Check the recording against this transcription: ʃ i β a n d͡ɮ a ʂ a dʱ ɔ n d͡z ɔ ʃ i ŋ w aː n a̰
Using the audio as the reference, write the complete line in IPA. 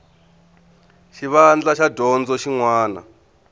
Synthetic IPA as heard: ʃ i β a n d͡ɮ a ʃ a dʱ ɔ n d͡z ɔ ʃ i ŋ w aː n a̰